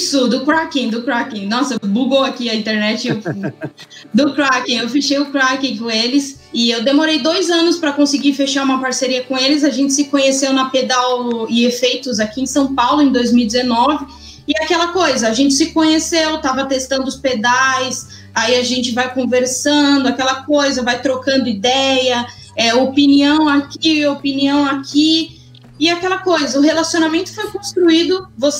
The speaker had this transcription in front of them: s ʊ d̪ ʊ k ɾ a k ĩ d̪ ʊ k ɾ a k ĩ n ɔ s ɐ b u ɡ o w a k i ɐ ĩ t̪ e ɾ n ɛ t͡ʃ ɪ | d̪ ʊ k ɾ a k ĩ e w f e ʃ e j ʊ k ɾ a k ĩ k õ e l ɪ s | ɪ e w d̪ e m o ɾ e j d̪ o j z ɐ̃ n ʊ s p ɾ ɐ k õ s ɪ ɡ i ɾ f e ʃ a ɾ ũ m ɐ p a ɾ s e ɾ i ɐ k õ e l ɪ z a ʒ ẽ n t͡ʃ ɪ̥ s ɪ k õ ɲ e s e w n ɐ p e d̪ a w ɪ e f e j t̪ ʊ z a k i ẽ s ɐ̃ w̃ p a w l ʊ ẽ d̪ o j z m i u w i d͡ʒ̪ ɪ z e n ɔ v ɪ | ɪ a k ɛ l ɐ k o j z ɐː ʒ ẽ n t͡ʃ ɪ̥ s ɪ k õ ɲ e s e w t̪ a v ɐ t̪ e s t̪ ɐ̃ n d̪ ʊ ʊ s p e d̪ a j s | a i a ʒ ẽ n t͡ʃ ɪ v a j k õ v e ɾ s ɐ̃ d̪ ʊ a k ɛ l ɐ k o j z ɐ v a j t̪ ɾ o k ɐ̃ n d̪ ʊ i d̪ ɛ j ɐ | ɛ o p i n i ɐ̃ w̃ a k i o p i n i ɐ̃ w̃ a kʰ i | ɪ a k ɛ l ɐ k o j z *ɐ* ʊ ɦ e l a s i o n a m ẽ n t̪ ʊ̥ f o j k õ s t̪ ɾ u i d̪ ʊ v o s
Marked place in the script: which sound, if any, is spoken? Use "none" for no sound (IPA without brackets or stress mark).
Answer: ɐ